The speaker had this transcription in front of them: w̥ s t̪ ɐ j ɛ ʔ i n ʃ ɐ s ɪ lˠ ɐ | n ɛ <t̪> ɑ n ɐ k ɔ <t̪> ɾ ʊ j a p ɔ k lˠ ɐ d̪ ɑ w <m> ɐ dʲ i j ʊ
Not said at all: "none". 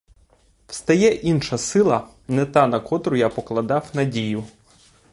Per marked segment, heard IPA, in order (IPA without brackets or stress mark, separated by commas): t̪, t̪, n